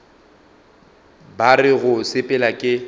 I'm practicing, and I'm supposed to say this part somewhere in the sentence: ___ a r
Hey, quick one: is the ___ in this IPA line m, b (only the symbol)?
b